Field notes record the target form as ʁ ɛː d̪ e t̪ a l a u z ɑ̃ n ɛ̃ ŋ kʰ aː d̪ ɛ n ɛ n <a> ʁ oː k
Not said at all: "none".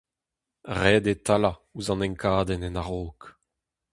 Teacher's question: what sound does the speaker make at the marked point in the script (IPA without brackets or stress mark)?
a